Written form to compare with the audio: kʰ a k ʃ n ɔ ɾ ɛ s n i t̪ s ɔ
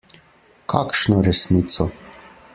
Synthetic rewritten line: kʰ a k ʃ n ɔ ɾ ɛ s n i t̪ s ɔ